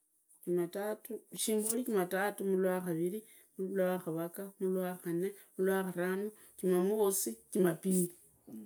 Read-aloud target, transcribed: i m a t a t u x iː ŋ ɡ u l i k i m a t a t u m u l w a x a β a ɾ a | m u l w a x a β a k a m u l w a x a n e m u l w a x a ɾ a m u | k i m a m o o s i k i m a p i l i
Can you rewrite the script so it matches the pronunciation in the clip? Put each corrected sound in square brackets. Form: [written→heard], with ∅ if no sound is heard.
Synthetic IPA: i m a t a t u [x→ʃ] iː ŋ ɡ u l i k i m a t a t u m u l w a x a β [a→i] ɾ [a→i] | m u l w a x a β a k a m u l w a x a n e m u l w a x a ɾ a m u | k i m a m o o s i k i m a p i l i